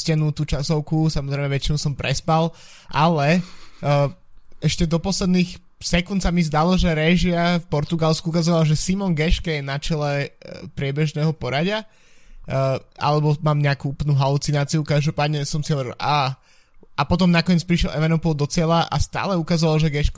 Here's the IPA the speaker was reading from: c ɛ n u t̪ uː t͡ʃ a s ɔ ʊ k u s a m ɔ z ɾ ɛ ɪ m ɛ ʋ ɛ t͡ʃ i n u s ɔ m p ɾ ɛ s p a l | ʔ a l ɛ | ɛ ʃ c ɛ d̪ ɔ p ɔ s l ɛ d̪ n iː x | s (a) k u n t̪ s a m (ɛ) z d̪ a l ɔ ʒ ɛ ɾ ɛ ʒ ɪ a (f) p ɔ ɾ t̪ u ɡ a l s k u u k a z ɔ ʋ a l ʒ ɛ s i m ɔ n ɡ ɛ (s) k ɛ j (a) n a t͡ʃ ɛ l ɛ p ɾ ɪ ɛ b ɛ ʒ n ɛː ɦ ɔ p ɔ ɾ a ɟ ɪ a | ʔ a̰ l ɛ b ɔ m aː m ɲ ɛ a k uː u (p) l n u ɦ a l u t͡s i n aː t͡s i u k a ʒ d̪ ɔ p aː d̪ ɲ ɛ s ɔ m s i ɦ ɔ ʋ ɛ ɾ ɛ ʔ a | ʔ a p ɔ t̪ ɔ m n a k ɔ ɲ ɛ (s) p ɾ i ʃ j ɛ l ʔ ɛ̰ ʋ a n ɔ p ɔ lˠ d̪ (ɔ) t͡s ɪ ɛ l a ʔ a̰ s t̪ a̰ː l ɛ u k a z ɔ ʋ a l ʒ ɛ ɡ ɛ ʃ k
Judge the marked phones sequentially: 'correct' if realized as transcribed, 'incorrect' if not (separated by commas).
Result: incorrect, incorrect, correct, incorrect, incorrect, correct, incorrect, correct